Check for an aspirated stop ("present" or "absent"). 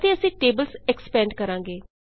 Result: absent